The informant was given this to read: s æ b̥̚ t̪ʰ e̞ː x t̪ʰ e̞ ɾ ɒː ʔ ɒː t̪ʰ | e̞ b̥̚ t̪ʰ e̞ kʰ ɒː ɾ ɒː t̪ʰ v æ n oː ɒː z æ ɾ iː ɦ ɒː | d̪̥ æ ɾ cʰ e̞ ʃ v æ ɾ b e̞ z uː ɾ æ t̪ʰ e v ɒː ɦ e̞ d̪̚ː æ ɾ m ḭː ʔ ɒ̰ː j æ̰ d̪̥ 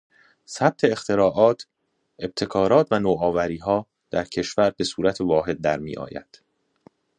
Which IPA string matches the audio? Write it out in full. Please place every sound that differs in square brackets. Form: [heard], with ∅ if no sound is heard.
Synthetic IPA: s æ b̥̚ t̪ʰ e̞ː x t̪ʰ e̞ ɾ ɒː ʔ ɒː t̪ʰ | e̞ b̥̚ t̪ʰ e̞ kʰ ɒː ɾ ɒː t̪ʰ v æ n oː ɒː [v] æ ɾ iː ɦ ɒː | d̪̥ æ ɾ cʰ e̞ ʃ v æ ɾ b e̞ [s] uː ɾ æ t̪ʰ e v ɒː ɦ e̞ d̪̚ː æ ɾ m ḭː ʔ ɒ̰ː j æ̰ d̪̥